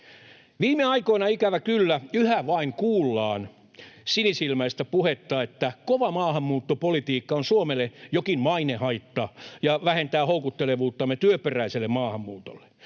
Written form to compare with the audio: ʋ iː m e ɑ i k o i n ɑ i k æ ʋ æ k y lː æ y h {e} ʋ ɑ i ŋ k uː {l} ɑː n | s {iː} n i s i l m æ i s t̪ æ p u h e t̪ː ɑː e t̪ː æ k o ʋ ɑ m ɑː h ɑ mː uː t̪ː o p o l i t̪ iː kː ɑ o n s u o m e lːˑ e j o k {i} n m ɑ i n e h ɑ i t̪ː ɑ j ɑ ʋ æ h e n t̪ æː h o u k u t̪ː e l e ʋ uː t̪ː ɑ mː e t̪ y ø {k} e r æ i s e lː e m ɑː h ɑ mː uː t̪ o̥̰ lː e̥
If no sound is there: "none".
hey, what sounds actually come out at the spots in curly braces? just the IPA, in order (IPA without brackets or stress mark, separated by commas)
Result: æ, lː, i, i, p